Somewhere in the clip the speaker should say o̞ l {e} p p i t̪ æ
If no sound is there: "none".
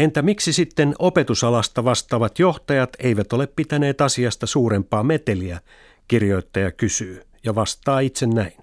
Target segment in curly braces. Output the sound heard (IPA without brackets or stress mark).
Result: e